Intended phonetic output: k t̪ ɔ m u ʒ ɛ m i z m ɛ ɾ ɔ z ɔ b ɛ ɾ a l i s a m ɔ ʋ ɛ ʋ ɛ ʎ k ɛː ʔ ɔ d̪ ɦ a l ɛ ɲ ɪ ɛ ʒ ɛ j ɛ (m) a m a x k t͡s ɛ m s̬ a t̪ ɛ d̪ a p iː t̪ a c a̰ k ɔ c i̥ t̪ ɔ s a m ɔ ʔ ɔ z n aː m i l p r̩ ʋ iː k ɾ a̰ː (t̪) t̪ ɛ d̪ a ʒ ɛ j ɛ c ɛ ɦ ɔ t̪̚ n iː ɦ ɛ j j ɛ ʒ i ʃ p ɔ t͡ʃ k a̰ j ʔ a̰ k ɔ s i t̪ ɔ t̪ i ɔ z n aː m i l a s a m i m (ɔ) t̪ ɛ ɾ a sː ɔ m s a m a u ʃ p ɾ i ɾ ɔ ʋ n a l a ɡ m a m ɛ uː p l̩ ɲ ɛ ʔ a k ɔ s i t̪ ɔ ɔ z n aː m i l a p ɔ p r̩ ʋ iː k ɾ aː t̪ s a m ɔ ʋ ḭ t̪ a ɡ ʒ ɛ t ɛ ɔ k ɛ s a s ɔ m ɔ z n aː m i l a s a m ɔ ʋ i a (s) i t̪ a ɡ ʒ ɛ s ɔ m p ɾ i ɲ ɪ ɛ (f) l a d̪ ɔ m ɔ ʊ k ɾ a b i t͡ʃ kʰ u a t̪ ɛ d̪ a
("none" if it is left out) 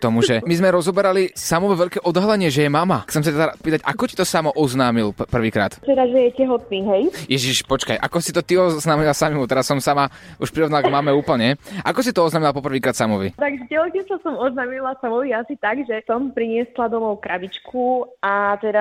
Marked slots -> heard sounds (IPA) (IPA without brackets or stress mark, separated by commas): m, t̪, u, s, s